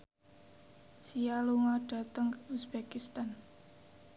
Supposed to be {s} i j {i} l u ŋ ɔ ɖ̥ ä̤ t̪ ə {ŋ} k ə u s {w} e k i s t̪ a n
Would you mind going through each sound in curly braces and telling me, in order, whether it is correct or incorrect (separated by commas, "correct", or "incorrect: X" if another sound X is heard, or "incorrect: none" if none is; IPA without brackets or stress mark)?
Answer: correct, incorrect: a, correct, incorrect: b